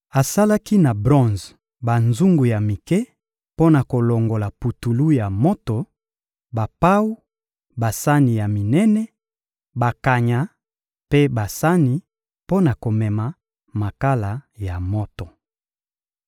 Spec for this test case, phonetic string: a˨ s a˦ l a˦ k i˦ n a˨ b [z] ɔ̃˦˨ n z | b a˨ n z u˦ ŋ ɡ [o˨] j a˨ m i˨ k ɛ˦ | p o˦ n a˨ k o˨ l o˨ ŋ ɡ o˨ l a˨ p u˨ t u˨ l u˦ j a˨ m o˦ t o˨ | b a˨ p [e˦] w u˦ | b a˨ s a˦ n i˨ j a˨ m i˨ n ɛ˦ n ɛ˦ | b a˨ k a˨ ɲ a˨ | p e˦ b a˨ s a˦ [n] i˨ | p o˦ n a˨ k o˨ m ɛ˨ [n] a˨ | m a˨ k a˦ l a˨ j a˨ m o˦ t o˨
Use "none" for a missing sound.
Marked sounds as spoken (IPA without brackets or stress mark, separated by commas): ʁ, u˨, a˦, n, m